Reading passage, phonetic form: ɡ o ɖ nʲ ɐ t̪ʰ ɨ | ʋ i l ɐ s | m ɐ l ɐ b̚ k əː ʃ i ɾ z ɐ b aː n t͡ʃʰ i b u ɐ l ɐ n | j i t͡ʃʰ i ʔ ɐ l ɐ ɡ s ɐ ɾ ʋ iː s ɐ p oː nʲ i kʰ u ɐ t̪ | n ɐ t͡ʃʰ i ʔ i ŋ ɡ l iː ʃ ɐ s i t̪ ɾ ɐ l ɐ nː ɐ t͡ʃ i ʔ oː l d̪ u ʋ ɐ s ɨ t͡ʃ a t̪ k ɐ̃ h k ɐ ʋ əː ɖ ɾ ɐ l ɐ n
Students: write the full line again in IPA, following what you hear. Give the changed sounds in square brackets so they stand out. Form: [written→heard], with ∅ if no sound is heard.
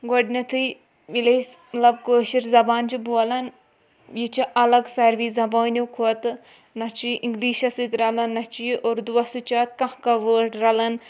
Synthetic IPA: ɡ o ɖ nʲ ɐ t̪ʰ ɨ | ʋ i l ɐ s | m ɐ l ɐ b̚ k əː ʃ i ɾ z ɐ b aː n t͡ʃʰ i b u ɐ l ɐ n | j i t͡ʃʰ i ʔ ɐ l ɐ ɡ s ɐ ɾ ʋ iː [s→z] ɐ [p→b] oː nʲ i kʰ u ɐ t̪ | n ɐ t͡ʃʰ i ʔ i ŋ ɡ l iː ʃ ɐ s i t̪ ɾ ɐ l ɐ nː ɐ t͡ʃ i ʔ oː [l→ɾ] d̪ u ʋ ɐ s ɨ t͡ʃ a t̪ k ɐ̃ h k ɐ ʋ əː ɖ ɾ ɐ l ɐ n